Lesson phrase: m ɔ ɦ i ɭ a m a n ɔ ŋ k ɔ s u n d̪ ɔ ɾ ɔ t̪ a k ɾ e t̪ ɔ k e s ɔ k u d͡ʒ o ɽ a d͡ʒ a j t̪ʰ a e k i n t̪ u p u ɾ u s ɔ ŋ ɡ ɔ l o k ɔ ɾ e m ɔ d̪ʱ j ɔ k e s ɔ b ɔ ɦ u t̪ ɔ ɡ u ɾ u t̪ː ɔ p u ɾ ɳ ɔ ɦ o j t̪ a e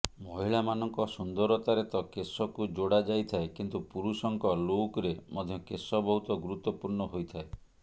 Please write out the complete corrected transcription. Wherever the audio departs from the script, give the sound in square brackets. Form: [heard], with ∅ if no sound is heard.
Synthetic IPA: m ɔ ɦ i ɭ a m a n ɔ ŋ k ɔ s u n d̪ ɔ ɾ ɔ t̪ a [∅] ɾ e t̪ ɔ k e s ɔ k u d͡ʒ o ɽ a d͡ʒ a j t̪ʰ a e k i n t̪ u p u ɾ u s ɔ ŋ [k] ɔ l o k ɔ ɾ e m ɔ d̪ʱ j ɔ k e s ɔ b ɔ ɦ u t̪ ɔ ɡ u ɾ u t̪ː ɔ p u ɾ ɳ ɔ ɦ o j [t̪ʰ] a e